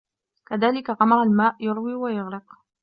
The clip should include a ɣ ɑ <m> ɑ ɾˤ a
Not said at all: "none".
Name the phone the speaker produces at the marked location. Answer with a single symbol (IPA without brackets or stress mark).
m